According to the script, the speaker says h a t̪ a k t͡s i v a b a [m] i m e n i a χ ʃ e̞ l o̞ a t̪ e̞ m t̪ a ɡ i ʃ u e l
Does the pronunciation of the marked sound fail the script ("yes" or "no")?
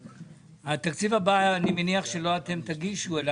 yes